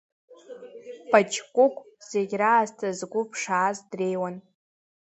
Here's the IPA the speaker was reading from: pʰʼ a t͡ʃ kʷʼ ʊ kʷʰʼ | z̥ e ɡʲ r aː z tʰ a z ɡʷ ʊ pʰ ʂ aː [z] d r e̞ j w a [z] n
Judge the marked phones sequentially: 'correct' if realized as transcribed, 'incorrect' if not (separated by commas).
correct, incorrect